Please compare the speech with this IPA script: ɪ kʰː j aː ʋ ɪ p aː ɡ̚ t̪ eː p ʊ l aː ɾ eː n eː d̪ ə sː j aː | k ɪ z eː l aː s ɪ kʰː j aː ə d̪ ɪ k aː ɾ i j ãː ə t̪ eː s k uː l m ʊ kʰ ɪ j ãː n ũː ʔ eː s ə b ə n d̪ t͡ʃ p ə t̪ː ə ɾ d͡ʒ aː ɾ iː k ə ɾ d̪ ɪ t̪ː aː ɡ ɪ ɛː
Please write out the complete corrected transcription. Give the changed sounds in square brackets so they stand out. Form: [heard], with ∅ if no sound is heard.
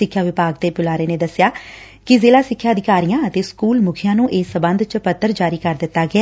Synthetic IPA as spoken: ɪ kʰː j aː ʋ ɪ p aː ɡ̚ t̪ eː p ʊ l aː ɾ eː n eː d̪ ə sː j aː | k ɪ z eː l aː s ɪ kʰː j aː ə d̪ ɪ k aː ɾ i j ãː ə t̪ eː s k uː l m ʊ kʰ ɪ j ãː n ũː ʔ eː s ə b ə n d̪ t͡ʃ p ə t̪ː ə ɾ d͡ʒ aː ɾ iː k ə ɾ d̪ ɪ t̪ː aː ɡ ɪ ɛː